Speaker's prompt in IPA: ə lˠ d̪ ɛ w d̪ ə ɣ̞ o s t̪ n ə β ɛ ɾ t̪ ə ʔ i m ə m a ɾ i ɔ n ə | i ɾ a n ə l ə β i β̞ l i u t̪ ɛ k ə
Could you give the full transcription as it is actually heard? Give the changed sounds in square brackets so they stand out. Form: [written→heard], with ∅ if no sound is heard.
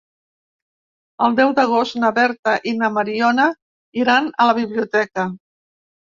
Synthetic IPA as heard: ə lˠ d̪ ɛ w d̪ ə ɣ̞ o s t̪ n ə β ɛ ɾ t̪ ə ʔ i [m→n] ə m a ɾ i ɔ n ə | i ɾ a n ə l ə β i β̞ l i u t̪ ɛ k ə

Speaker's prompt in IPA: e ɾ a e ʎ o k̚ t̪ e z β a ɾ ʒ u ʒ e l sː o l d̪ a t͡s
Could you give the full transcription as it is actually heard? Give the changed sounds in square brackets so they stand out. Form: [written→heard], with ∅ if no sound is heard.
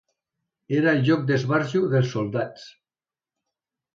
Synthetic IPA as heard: e ɾ a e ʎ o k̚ [t̪→d̪] e z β a ɾ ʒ u [ʒ→ð] e l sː o l d̪ a t͡s

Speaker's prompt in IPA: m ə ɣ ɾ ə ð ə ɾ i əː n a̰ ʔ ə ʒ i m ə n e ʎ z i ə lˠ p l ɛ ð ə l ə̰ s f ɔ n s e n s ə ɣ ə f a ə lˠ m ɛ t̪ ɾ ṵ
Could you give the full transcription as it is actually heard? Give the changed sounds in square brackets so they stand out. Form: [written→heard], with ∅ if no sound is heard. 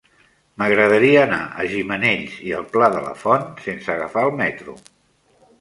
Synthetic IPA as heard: m ə ɣ ɾ ə ð ə ɾ i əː n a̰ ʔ ə ʒ i m ə n e ʎ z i ə lˠ p l [ɛ→a] ð ə l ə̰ [s→∅] f ɔ n s e n s ə ɣ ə f a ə lˠ m ɛ t̪ ɾ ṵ

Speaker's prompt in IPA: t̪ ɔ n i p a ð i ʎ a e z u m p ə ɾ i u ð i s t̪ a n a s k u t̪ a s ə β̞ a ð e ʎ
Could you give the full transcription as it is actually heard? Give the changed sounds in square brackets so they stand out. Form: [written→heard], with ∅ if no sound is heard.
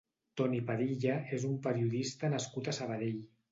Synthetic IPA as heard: t̪ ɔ n i p a ð i ʎ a e z u m p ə ɾ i u ð i s t̪ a n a s k u t̪ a s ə β̞ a ð e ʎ

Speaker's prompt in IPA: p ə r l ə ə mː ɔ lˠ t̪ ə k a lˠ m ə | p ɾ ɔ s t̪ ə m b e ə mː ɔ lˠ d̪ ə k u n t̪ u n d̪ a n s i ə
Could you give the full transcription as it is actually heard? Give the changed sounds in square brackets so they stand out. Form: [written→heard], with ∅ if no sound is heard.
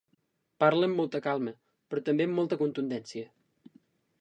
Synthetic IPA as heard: p [ə→a] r l ə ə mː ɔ lˠ t̪ ə k a lˠ m ə | p ɾ ɔ [s→∅] t̪ ə m b e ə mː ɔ lˠ [d̪→t̪] ə k u n t̪ u n d̪ [a→ɛ] n s i ə

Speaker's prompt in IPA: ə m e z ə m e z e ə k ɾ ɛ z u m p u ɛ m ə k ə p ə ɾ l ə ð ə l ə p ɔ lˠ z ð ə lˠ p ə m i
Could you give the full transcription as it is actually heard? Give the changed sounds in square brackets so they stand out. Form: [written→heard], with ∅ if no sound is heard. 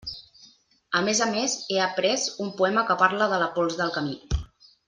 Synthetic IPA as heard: ə m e z ə m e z e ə [k→p] ɾ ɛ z u m p u ɛ m ə k ə p [ə→a] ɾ l ə ð ə l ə p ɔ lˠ z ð ə lˠ [p→k] ə m i

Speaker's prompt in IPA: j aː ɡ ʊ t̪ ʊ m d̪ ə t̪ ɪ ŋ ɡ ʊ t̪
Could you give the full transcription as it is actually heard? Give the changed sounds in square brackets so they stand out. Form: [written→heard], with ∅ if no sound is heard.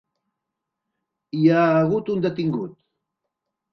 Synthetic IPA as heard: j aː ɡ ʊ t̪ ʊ [m→n] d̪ [ə→a] t̪ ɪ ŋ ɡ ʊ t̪

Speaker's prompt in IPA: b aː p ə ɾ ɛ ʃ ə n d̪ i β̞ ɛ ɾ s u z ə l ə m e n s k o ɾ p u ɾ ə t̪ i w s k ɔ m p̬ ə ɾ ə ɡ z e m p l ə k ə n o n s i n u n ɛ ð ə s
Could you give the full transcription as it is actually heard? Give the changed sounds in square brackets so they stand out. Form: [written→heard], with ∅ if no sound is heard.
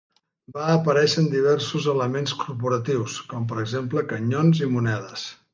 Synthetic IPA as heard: b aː p ə ɾ ɛ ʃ ə n d̪ i β̞ ɛ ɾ s u z ə l ə m e n s k [o→u] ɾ p u ɾ ə t̪ i w s k ɔ m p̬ ə ɾ ə ɡ z e m p l ə k ə [n→ɲ] o n [s→z] i [n→m] u n ɛ ð ə s

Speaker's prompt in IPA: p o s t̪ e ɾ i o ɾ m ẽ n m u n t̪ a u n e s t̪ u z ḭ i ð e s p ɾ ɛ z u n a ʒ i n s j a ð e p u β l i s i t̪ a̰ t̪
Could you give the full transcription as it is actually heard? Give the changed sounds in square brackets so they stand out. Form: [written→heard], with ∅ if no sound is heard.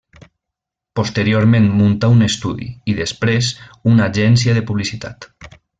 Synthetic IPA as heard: p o s t̪ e ɾ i o ɾ m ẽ n m u n t̪ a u n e s t̪ u [z→ð] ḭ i ð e s p ɾ [ɛ→e] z u n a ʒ [i→ɛ] n s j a ð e p u β l i s i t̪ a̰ t̪

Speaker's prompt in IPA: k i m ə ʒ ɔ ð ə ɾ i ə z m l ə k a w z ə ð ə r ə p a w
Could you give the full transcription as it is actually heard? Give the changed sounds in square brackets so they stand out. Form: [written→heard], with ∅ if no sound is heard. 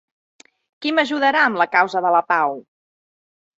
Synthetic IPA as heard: k i m ə ʒ [ɔ→u] ð ə ɾ [i→a] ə [z→∅] m l ə k a w z ə ð ə [r→l] ə p a w

